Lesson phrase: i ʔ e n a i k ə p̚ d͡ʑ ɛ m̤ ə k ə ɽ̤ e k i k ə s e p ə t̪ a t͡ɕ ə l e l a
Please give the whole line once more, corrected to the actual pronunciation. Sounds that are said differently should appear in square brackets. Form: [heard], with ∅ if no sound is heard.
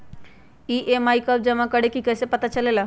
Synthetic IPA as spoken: i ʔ e [m] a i k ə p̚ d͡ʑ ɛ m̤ [a] k ə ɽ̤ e k i k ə s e p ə t̪ a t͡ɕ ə l e l a